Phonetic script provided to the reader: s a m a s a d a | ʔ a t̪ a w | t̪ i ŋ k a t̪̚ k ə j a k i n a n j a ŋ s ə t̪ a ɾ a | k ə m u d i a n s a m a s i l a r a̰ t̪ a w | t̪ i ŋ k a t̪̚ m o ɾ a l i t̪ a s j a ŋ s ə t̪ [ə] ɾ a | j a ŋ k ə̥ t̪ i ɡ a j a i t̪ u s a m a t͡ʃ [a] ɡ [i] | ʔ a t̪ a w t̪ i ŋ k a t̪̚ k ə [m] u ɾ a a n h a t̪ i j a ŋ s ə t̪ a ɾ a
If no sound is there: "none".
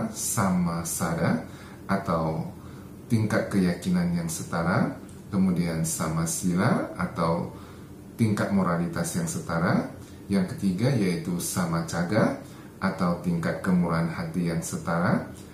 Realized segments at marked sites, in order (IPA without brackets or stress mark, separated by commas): a, a, a, m